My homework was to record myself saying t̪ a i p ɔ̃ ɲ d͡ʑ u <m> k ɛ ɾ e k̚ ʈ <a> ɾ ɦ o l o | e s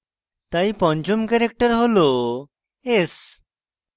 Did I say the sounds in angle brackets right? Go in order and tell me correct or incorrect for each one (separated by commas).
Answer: correct, incorrect